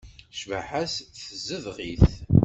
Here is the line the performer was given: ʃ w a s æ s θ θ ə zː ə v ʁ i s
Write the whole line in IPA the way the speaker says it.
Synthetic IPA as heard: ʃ v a ħ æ s θ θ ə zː ə ð ʁ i θ